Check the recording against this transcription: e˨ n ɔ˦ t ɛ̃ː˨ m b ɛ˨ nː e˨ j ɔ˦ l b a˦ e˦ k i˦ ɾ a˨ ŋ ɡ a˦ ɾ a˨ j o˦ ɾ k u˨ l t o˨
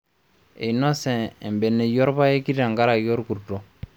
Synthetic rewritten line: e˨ n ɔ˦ s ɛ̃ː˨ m b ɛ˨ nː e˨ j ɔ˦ ɾ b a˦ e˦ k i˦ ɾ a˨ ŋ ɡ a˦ ɾ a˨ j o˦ ɾ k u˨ ɾ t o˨